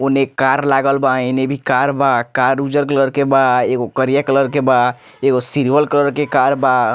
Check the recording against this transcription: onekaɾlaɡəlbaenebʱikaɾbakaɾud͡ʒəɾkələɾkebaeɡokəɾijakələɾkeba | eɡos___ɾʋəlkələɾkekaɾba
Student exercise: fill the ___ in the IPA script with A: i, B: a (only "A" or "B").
A